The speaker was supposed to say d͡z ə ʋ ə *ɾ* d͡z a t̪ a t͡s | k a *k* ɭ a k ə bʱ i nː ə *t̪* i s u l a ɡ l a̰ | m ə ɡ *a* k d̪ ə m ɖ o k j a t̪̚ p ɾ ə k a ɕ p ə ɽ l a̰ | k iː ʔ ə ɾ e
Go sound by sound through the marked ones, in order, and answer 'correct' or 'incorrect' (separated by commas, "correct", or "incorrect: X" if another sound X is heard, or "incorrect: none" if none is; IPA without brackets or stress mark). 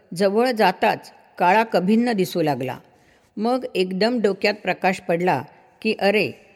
incorrect: ɭ, incorrect: none, incorrect: d̪, incorrect: e